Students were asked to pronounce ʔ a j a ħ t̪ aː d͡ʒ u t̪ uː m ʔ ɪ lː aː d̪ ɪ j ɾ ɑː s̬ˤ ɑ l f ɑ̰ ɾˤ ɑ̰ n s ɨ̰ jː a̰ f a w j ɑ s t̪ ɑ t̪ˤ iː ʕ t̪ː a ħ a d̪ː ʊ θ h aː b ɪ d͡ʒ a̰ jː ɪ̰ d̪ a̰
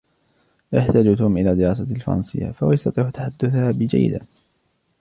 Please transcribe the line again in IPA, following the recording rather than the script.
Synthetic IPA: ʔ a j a ħ t̪ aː d͡ʒ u t̪ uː m ʔ ɪ l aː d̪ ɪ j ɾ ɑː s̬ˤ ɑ l f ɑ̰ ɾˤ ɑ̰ n s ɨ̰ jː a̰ f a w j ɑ s t̪ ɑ t̪ˤ iː ʕ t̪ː a ħ a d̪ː ʊ θ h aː b ɪ d͡ʒ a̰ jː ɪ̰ d̪ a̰